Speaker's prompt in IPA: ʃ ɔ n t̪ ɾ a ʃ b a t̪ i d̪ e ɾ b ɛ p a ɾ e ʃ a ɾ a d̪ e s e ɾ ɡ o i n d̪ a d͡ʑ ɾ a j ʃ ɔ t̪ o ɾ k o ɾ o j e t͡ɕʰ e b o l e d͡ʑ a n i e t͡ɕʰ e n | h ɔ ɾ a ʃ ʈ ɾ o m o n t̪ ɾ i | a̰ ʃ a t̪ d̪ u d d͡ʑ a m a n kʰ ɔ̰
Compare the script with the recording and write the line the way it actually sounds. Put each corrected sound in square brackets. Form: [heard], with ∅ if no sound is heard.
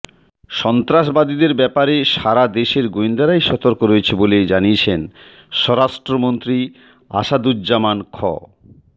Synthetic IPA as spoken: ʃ ɔ n t̪ ɾ a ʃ b a [d̪] i d̪ e ɾ b ɛ p a ɾ e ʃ a ɾ a d̪ e [ʃ] e ɾ ɡ o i n d̪ a [∅] ɾ a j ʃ ɔ t̪ o ɾ k o ɾ o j e t͡ɕʰ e b o l e d͡ʑ a n i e t͡ɕʰ e n | [ʃ] ɔ ɾ a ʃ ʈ ɾ o m o n t̪ ɾ i | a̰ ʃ a [∅] d̪ u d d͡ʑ a m a n kʰ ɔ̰